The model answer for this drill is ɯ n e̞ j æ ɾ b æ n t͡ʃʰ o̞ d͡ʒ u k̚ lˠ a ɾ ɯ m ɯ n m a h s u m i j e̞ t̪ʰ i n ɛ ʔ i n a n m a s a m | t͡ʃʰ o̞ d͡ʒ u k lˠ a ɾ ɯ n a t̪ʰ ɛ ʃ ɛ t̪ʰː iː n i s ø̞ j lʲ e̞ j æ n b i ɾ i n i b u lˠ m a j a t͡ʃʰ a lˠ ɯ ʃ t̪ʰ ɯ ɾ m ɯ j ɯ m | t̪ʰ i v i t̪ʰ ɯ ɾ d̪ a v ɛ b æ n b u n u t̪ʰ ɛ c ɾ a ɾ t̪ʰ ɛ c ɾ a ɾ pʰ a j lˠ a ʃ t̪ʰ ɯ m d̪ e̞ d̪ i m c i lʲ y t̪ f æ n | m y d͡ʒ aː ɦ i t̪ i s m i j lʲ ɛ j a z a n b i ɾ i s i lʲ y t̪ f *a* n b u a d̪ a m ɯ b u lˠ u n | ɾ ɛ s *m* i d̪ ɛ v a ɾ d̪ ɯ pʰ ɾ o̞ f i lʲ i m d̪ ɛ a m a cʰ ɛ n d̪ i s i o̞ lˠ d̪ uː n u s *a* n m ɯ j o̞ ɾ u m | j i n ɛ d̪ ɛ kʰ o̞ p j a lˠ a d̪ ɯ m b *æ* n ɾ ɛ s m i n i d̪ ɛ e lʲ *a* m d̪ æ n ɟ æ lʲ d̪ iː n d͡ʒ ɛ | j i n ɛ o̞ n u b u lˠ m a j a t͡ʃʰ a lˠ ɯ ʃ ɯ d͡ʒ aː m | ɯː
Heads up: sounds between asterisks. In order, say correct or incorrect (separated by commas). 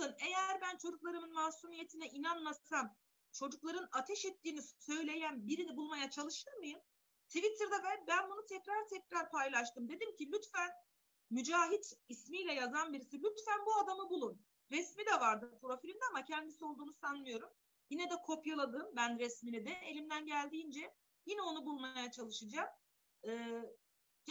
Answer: incorrect, correct, correct, correct, incorrect